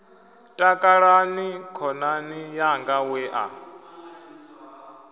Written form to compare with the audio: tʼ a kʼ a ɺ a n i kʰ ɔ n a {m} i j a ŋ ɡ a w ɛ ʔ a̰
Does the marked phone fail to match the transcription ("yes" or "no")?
yes